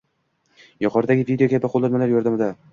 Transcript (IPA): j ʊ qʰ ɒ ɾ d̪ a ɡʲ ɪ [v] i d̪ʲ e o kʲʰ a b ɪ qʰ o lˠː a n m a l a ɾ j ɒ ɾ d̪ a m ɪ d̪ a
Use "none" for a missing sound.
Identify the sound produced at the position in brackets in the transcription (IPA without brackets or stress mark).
v